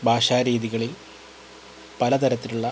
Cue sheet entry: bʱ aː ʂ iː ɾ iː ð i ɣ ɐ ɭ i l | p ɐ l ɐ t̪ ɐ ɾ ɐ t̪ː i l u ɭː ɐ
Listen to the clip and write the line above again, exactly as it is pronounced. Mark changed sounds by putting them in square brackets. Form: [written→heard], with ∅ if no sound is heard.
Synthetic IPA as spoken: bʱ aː ʂ [iː→aː] ɾ iː ð i ɣ ɐ ɭ i l | p ɐ l ɐ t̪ ɐ ɾ ɐ t̪ː i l u ɭː ɐ